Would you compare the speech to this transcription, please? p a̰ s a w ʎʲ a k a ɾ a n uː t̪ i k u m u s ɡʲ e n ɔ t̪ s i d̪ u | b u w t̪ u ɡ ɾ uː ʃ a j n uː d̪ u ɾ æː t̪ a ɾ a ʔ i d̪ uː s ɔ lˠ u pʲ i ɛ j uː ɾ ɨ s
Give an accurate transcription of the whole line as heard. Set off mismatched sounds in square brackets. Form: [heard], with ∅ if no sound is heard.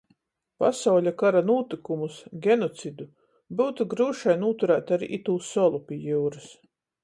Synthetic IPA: p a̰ s a w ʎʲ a k a ɾ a n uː t̪ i k u m u s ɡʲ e n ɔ t̪ s i d̪ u | b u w t̪ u ɡ ɾ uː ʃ a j n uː [t̪] u ɾ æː t̪ a ɾ [i] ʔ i [t̪] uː s ɔ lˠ u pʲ i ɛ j uː ɾ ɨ s

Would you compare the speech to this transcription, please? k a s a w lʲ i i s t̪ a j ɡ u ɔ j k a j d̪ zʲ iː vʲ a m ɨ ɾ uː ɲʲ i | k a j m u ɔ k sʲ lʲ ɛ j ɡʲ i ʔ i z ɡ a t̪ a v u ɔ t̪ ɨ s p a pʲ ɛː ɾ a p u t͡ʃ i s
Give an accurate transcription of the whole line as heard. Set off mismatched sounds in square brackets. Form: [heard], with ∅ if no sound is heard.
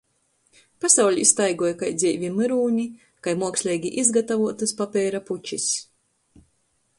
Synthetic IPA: [p] a s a w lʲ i i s t̪ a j ɡ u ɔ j k a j d̪ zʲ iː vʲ [i] m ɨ ɾ uː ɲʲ i | k a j m u ɔ k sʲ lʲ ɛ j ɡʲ i ʔ i z ɡ a t̪ a v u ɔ t̪ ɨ s p a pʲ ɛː ɾ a p u t͡ʃ i s

